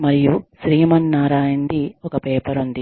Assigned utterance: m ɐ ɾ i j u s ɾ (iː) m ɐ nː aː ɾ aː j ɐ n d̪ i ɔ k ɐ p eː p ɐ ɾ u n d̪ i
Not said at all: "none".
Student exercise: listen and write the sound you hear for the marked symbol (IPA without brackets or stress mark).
iː